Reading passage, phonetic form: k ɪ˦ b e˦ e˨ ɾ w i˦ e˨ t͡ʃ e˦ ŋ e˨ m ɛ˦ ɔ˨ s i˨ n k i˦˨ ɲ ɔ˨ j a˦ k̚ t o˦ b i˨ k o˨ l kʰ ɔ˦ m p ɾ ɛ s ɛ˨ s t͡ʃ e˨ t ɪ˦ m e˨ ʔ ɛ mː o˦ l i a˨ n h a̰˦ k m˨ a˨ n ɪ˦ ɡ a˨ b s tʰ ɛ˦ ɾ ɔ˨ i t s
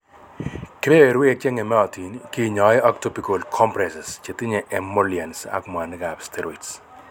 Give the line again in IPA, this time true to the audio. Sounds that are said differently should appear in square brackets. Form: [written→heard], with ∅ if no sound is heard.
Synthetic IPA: k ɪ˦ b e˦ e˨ ɾ w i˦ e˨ t͡ʃ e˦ ŋ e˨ m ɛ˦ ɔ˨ [s→t] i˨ n k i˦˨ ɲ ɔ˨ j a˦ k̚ t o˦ [b→p] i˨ k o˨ l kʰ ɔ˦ m p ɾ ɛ s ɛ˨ s t͡ʃ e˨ t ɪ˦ [m→ɲ] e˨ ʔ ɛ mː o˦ l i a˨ n [h→s] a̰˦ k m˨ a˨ n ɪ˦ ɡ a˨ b s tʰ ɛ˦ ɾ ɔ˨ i t s